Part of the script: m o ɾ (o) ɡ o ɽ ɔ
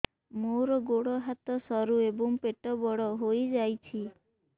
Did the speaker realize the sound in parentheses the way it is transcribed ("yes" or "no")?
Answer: no